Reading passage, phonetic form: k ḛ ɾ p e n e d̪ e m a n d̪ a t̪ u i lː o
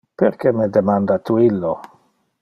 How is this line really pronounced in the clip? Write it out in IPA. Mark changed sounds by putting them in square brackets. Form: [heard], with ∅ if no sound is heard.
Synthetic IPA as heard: [p] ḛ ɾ [k] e [m] e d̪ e m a n d̪ a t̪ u i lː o